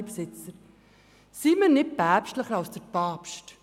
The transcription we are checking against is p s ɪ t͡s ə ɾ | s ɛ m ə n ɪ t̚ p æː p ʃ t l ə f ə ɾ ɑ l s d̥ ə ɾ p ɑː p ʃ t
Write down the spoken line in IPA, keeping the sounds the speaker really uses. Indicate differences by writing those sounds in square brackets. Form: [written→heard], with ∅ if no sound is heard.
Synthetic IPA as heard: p s ɪ t͡s ə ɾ | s [ɛ→i] m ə n ɪ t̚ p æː p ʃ t l ə [f→χ] ə ɾ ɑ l s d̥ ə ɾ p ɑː p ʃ t